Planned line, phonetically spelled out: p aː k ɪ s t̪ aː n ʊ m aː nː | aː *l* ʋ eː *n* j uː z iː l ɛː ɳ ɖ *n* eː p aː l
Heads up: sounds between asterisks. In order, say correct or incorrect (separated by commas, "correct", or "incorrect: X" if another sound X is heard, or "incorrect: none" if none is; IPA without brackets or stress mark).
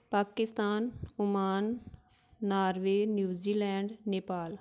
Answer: incorrect: ɾ, correct, correct